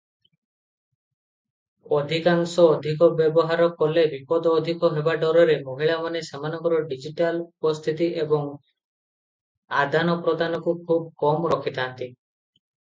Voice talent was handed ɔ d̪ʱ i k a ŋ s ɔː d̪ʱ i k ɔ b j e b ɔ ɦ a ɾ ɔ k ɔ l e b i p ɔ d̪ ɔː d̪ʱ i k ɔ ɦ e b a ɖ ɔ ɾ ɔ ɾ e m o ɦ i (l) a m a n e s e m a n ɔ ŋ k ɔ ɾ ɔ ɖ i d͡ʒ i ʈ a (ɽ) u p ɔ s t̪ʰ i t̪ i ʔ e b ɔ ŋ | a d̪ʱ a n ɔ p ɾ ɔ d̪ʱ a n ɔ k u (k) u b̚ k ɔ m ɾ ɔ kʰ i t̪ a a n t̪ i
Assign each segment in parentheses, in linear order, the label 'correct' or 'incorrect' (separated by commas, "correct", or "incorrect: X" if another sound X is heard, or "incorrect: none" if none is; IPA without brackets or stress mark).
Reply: incorrect: ɭ, incorrect: l, incorrect: kʰ